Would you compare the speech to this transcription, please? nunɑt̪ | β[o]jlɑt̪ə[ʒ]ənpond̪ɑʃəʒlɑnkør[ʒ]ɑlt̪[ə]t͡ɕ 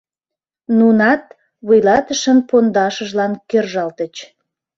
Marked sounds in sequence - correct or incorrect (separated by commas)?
incorrect, incorrect, correct, correct